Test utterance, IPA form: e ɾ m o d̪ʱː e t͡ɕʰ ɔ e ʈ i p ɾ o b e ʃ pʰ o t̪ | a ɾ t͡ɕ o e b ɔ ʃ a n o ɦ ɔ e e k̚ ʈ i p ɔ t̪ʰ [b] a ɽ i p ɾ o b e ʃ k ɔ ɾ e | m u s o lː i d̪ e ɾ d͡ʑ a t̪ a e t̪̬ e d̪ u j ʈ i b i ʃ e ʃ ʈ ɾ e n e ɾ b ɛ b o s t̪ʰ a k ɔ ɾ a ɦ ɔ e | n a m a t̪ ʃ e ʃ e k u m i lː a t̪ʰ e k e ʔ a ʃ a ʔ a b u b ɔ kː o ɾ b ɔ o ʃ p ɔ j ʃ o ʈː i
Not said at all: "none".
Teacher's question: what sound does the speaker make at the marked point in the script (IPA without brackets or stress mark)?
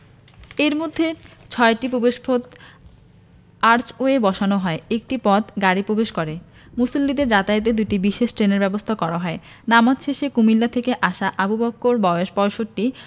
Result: ɡ